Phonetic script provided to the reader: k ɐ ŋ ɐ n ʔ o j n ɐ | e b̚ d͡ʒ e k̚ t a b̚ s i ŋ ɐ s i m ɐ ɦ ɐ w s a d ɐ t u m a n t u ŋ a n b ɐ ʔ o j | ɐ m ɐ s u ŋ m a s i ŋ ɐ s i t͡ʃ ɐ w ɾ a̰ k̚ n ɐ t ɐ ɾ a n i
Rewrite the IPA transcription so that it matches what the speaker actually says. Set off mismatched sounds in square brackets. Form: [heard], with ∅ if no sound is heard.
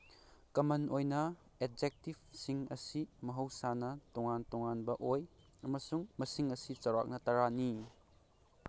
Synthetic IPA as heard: k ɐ [m] ɐ n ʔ o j n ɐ | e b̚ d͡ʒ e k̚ t [i] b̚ s i ŋ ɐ s i m ɐ ɦ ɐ w s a [n] ɐ t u [ŋ] a n t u ŋ a n b ɐ ʔ o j | ɐ m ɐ s u ŋ m [ɐ] s i ŋ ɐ s i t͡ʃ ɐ w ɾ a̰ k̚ n ɐ t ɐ ɾ a n i